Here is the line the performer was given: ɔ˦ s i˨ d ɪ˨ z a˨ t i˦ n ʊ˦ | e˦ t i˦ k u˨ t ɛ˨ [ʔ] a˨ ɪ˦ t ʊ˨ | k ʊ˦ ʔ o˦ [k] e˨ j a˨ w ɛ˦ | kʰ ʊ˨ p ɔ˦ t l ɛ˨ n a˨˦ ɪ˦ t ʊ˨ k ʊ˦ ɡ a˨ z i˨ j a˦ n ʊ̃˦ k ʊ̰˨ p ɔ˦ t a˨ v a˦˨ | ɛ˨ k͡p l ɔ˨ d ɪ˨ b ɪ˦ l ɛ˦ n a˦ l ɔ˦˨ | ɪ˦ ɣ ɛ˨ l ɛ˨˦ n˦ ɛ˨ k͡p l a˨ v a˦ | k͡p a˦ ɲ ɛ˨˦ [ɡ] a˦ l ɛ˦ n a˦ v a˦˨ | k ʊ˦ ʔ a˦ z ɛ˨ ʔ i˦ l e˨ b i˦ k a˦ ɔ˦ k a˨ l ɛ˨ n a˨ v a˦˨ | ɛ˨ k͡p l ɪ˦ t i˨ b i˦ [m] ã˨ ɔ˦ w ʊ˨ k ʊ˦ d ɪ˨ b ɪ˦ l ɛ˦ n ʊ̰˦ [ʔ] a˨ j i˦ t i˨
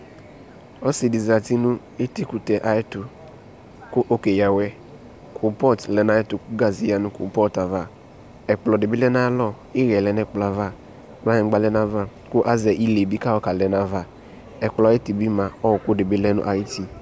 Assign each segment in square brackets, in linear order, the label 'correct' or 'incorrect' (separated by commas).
correct, correct, incorrect, correct, correct